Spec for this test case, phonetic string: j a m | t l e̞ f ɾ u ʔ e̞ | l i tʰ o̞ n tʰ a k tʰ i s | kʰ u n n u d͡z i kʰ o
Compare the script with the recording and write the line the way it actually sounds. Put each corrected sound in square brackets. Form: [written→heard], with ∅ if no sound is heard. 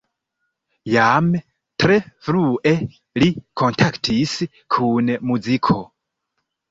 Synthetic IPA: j a m | t [l→ɾ] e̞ f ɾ u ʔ e̞ | l i [tʰ→kʰ] o̞ n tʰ a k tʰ i s | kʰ u n [n→m] u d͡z i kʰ o